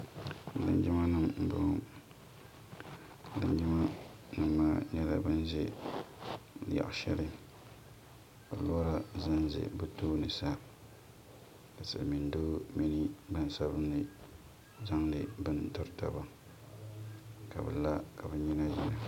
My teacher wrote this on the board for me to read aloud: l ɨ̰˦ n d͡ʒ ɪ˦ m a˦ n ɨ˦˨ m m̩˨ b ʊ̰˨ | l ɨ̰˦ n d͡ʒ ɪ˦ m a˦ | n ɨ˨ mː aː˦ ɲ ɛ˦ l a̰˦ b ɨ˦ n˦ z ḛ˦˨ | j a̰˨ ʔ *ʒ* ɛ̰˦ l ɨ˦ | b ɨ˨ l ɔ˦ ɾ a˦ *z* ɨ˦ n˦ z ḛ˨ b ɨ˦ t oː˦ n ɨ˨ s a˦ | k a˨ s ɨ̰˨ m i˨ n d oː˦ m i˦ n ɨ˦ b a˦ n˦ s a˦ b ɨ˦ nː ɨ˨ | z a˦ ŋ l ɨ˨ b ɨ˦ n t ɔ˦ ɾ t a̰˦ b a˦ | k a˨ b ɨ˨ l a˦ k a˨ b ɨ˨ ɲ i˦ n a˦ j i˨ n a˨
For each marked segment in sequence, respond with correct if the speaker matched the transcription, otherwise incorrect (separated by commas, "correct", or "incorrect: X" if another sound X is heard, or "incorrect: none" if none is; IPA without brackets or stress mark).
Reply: incorrect: ʃ, correct